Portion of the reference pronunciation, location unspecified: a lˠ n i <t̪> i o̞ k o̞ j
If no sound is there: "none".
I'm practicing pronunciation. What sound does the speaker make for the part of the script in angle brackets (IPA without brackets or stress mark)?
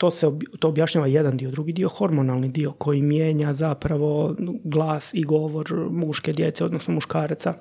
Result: d̪